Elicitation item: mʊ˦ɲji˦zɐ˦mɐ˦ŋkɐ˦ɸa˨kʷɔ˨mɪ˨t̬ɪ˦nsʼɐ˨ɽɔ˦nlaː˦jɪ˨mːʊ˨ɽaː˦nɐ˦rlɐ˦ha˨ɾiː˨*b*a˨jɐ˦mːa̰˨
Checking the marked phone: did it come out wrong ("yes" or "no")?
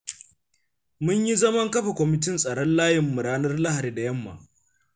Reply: yes